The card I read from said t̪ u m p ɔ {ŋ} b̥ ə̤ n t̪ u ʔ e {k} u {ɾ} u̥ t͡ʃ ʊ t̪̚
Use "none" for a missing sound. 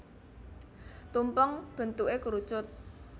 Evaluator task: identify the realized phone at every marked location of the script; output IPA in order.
ŋ, k, ɾ

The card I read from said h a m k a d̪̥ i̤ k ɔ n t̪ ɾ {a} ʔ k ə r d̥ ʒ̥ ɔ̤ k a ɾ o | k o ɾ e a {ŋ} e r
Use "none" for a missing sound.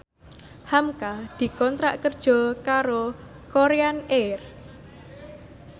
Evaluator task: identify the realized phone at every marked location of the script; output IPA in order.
a, n

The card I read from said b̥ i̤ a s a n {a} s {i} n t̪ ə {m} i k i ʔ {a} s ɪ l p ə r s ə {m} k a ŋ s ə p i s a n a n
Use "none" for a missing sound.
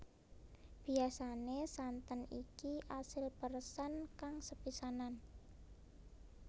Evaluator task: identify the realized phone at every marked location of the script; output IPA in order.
e, a, n, a, n

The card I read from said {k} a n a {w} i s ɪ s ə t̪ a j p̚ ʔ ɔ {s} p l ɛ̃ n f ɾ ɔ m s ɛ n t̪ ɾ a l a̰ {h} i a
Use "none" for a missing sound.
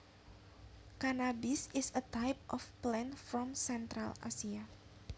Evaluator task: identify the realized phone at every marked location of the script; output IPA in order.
k, b, f, s

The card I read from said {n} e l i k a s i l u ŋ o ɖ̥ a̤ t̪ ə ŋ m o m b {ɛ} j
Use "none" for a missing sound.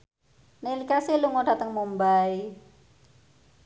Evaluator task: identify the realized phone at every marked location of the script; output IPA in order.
n, a

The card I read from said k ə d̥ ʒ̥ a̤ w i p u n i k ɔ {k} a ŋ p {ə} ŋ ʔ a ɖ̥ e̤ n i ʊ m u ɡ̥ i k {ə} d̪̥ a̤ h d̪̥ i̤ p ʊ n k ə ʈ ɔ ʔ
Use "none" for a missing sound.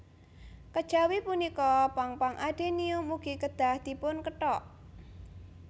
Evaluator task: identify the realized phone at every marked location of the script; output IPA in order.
p, a, ə

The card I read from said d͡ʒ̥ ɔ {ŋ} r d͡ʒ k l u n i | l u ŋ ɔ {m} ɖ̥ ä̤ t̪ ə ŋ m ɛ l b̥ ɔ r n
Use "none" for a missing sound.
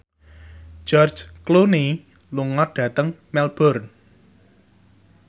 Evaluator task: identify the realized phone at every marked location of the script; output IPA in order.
none, none

